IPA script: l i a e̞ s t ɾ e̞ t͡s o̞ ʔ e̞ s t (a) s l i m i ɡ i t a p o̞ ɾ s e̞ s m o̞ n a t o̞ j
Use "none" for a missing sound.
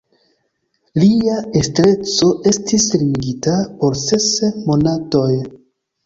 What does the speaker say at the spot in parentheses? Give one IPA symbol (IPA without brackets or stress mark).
i